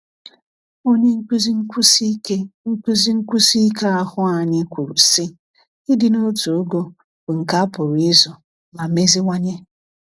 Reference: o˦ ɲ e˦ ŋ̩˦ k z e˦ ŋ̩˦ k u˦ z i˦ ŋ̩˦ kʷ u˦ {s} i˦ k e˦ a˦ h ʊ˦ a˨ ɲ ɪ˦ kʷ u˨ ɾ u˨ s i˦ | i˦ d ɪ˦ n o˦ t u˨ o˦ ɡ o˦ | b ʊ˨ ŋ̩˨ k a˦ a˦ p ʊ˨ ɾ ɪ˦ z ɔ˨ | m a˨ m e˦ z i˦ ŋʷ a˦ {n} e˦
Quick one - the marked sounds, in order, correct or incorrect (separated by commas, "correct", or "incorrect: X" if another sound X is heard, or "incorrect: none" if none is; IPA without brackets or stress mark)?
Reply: correct, incorrect: ɲ